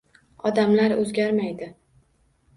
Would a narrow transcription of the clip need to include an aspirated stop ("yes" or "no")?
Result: no